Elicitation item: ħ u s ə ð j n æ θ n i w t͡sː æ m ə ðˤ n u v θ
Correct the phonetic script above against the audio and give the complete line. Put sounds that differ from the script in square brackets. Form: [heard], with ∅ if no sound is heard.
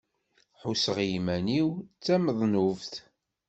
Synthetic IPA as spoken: ħ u s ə [ʁ] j [m] æ [∅] n i w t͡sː æ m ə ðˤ n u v θ